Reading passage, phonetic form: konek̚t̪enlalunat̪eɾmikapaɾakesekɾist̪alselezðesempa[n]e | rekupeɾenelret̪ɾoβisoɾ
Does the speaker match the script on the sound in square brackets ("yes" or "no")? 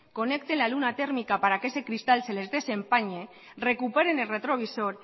no